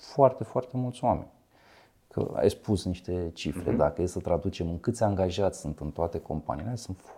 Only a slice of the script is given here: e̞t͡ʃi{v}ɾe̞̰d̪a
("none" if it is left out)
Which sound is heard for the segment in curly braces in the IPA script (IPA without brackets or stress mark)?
f